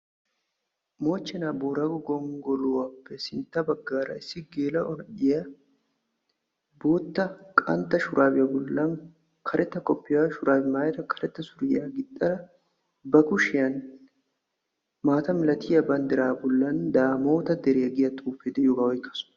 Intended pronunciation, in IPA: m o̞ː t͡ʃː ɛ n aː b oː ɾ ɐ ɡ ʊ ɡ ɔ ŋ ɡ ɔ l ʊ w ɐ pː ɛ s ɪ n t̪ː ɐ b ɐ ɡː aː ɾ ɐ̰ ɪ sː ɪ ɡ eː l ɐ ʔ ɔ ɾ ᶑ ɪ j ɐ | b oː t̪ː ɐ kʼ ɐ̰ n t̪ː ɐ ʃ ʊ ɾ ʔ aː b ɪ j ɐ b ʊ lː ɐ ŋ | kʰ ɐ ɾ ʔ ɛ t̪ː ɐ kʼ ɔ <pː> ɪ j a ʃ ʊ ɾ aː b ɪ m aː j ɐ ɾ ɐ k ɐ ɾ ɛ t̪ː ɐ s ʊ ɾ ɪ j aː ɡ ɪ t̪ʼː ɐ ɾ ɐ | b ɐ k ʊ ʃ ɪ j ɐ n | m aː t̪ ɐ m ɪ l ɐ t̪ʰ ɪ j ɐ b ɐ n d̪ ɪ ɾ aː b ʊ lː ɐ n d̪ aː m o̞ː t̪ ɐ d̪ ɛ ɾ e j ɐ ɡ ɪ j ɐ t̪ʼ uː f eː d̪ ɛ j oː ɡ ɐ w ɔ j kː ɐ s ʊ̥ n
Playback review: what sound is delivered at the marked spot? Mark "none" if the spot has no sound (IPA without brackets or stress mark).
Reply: pː